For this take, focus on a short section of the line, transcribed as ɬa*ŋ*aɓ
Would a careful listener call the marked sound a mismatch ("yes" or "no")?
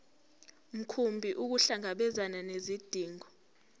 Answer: no